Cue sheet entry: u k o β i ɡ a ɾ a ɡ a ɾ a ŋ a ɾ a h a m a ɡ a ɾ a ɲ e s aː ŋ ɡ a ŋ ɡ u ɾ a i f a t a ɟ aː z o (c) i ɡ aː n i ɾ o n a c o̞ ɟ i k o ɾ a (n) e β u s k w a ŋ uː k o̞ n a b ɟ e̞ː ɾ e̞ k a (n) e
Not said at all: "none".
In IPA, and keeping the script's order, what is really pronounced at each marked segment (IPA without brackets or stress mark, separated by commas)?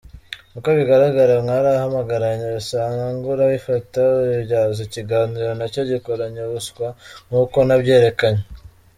c, ɲ, ɲ